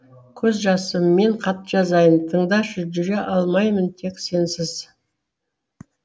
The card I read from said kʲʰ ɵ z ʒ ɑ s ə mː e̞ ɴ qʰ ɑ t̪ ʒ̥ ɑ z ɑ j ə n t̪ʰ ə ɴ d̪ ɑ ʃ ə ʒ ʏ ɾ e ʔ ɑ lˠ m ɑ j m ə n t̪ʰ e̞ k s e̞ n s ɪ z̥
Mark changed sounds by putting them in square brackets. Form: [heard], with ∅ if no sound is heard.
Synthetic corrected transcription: kʲʰ ɵ z ʒ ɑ s ə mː e̞ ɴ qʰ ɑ t̪ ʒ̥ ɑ z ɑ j ə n t̪ʰ ə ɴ d̪ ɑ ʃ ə ʒ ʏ ɾ e ʔ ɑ lˠ m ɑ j m ə n t̪ʰ e̞ k s e̞ n s ɪ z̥